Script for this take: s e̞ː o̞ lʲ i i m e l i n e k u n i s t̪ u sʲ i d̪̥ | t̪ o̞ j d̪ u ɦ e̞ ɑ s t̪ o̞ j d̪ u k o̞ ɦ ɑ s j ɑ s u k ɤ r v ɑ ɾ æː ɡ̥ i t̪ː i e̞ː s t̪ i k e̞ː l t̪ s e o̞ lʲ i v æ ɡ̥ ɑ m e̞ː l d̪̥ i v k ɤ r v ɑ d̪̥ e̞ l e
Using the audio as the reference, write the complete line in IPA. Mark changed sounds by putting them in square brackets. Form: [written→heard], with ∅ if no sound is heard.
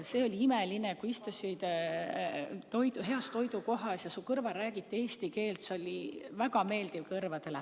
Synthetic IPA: s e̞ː o̞ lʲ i i m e l i n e k u [n→∅] i s t̪ u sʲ i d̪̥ | t̪ o̞ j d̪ u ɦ e̞ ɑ s t̪ o̞ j d̪ u k o̞ ɦ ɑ s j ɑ s u k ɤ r v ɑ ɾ æː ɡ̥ i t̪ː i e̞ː s t̪ i k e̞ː l t̪ s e o̞ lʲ i v æ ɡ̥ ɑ m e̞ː l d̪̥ i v k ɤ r v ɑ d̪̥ e̞ l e